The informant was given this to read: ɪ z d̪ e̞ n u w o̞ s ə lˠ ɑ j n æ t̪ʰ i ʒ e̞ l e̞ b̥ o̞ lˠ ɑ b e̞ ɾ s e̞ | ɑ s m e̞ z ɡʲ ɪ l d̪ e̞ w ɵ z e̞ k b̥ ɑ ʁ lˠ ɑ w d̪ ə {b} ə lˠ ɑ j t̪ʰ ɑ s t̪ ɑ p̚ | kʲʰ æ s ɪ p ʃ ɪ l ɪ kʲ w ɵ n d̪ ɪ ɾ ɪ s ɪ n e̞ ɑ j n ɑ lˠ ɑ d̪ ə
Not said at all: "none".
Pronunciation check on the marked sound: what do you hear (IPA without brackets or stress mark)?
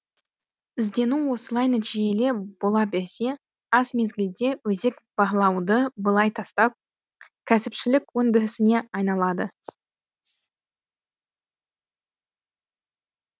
b